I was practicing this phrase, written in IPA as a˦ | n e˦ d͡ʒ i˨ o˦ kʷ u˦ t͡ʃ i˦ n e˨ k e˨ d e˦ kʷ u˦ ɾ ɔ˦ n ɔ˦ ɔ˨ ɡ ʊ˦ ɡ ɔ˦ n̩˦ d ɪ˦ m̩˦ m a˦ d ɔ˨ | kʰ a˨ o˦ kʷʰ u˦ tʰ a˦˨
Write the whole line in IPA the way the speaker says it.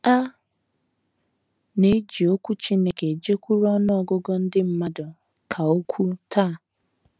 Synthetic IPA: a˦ | n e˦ d͡ʒ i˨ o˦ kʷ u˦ t͡ʃ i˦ n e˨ k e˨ d͡ʒ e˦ kʷ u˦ ɾ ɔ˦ n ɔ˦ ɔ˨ ɡ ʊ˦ ɡ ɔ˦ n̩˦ d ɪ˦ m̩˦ m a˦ d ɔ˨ | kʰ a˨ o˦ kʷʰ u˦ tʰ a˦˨